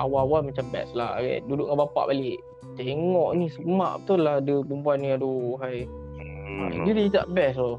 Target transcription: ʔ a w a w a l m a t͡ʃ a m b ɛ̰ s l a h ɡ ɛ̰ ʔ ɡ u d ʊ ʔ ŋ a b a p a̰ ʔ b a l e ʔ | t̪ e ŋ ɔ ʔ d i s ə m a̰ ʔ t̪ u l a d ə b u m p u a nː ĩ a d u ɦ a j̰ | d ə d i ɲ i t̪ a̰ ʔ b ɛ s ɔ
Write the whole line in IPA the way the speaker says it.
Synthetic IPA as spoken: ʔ a w a w a l m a t͡ʃ a m b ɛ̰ s l a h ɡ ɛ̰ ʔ d u d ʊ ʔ ŋ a b a p a̰ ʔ b a l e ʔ | t̪ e ŋ ɔ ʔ n i s ə m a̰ ʔ t̪ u l a d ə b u m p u a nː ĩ a d u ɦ a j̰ | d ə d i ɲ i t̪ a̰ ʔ b ɛ s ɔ